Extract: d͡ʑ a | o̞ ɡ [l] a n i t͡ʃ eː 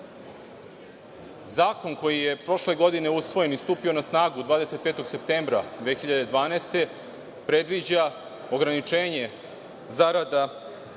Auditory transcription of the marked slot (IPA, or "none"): ɾ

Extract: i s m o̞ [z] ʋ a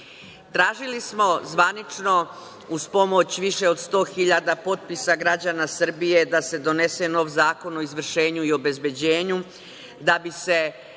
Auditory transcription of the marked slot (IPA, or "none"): z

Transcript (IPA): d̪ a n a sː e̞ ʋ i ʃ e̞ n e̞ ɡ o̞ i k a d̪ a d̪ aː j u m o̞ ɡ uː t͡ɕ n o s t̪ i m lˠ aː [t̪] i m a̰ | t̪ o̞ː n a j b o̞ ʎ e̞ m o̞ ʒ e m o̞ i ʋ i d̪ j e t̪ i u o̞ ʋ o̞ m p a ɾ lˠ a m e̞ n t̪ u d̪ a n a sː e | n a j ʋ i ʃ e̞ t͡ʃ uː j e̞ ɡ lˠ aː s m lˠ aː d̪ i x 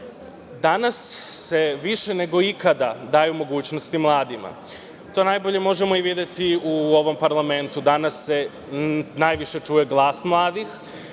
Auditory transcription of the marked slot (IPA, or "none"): d̪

